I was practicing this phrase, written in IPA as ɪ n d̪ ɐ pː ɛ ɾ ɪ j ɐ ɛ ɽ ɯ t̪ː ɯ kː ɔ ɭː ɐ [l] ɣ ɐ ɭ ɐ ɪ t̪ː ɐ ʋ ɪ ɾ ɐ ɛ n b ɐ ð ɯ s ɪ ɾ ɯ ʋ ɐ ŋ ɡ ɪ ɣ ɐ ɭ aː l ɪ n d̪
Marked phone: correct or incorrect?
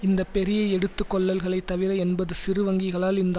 correct